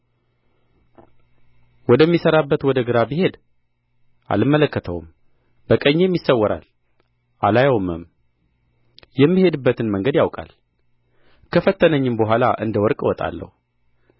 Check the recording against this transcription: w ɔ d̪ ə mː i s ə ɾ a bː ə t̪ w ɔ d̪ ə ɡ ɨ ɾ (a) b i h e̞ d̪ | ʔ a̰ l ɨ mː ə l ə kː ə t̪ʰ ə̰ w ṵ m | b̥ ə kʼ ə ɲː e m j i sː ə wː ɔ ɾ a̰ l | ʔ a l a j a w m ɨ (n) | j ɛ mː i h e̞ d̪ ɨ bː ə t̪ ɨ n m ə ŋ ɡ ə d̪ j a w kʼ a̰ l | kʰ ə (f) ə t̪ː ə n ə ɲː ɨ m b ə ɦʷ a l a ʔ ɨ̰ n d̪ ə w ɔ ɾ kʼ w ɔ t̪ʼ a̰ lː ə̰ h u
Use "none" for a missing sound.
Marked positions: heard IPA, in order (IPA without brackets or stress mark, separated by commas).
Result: a, m, f